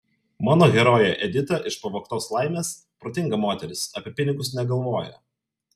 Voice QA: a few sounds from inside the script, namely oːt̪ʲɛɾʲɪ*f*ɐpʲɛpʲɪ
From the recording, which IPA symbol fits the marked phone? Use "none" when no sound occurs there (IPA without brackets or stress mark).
s